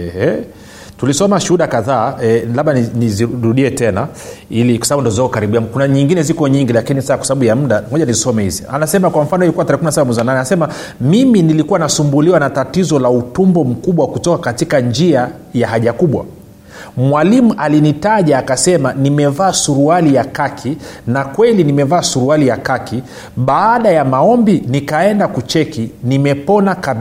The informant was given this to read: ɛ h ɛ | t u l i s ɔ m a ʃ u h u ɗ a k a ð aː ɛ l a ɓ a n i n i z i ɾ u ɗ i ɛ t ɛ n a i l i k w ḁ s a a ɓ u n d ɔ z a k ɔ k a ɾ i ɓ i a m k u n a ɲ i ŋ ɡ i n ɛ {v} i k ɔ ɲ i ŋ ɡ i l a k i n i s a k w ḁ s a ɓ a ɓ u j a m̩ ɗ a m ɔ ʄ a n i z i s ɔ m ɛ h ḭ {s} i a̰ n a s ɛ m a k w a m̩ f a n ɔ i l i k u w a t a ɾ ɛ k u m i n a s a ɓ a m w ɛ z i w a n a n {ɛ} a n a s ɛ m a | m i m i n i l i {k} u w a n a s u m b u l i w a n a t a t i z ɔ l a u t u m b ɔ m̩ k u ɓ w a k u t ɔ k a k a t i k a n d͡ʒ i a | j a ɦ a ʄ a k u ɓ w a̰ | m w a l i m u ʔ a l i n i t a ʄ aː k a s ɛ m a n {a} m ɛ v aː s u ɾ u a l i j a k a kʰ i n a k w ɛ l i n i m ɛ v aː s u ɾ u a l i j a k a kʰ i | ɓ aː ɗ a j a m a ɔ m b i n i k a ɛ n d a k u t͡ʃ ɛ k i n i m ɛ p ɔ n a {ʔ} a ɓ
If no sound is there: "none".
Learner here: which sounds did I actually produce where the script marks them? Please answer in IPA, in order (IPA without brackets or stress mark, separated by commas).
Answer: z, z, ɛ, k, i, k